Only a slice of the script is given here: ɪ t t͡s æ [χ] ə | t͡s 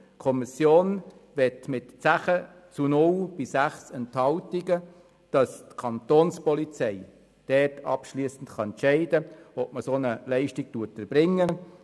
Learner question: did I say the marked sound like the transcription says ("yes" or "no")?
yes